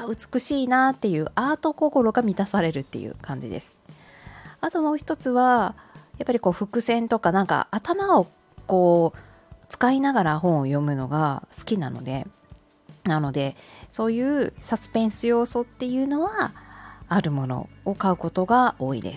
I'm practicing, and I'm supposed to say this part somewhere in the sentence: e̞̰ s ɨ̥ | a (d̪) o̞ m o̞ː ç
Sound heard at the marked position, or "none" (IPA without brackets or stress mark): t̪